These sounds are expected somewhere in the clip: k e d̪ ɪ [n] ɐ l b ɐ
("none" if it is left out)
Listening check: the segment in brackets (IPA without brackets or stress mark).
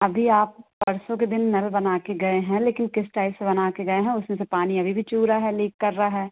nː